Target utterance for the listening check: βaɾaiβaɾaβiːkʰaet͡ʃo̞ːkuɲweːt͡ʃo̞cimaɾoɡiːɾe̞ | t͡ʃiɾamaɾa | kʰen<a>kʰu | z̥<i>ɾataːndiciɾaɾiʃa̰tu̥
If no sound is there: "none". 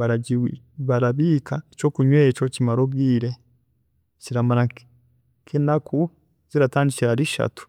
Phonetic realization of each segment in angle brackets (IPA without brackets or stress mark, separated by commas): a, i